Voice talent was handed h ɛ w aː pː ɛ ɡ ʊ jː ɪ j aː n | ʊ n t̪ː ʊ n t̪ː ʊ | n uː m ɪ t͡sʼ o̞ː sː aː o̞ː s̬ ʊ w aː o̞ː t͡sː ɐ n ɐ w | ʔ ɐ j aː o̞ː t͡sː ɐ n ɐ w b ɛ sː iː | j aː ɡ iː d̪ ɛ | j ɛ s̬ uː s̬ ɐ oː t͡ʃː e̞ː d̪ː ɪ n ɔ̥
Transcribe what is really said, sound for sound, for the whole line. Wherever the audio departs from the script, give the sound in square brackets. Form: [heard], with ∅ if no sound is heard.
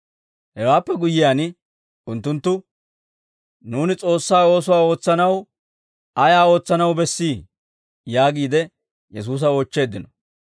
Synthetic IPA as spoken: h ɛ w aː pː ɛ ɡ ʊ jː ɪ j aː n | ʊ n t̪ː ʊ n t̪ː ʊ | n uː [n] ɪ t͡sʼ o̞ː sː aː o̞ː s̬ ʊ w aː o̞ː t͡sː ɐ n ɐ w | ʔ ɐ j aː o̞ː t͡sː ɐ n ɐ w b ɛ sː iː | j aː ɡ iː d̪ ɛ | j ɛ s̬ uː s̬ ɐ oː t͡ʃː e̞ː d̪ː ɪ n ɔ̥